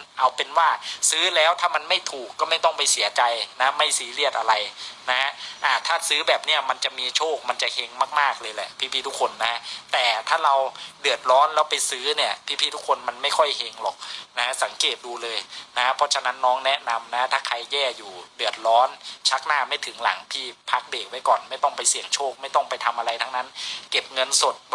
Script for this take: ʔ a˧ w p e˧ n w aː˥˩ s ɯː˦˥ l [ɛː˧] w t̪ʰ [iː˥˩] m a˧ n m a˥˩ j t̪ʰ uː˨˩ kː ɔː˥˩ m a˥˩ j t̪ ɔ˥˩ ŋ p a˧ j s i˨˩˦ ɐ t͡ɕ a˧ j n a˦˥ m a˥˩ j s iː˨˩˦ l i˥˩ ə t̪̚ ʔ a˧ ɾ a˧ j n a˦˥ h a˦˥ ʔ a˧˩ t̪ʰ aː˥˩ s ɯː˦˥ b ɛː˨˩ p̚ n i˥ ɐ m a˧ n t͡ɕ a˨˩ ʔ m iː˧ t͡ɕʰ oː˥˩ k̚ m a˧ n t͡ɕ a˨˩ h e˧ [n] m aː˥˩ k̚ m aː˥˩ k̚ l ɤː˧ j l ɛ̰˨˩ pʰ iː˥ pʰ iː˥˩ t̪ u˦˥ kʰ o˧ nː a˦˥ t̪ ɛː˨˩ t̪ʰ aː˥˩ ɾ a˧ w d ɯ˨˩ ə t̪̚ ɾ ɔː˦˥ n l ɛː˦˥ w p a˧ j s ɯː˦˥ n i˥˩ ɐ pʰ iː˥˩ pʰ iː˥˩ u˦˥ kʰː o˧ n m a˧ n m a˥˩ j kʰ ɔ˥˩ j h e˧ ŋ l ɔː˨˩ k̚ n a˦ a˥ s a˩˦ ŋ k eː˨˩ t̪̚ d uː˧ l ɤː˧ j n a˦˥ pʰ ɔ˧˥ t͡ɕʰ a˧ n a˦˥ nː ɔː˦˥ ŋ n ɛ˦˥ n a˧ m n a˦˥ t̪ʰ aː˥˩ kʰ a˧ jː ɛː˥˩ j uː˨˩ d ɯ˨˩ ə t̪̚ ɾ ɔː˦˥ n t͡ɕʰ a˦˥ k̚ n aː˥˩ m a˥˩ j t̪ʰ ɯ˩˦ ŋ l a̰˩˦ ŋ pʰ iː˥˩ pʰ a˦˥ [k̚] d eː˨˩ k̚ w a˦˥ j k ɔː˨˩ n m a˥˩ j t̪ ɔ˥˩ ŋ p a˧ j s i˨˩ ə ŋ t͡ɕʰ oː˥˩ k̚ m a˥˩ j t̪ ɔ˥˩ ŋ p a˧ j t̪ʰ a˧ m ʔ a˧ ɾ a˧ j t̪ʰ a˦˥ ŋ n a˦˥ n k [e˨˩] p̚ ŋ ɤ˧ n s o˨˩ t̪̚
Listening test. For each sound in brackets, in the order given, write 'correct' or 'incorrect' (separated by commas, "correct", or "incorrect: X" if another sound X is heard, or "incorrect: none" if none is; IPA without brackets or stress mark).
incorrect: ɛː˦˥, incorrect: aː˥˩, incorrect: ŋ, correct, correct